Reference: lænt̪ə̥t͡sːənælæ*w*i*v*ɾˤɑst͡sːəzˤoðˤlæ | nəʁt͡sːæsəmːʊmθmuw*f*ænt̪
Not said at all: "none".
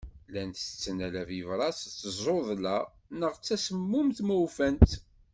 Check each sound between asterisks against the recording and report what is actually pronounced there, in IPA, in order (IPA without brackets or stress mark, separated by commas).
v, v, f